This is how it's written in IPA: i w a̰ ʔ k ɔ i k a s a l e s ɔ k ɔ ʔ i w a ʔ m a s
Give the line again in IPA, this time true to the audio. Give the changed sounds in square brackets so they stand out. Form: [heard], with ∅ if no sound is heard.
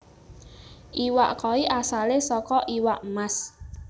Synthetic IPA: i w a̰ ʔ k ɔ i [ʔ] a s a l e s ɔ k ɔ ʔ i w a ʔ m a s